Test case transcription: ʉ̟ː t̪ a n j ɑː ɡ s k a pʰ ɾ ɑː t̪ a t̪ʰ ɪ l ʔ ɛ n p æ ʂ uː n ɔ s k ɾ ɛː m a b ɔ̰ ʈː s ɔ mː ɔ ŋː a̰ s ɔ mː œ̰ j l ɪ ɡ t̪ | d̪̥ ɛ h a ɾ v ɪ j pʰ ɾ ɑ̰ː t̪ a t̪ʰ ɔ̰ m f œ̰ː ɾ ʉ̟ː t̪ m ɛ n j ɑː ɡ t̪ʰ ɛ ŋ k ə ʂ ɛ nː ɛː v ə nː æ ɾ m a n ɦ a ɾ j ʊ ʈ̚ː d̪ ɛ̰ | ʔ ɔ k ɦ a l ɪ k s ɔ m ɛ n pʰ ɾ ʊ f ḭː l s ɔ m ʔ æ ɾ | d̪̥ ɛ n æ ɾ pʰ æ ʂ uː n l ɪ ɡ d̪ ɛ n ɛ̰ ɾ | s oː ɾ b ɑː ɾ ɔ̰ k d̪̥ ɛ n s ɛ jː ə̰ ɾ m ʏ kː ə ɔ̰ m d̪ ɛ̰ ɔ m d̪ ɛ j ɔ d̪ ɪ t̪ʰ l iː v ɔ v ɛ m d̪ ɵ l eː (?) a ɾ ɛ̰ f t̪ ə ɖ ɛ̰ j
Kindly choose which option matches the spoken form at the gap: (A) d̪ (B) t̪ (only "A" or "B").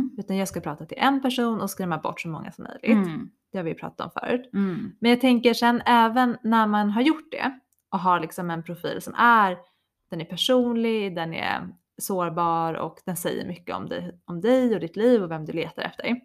B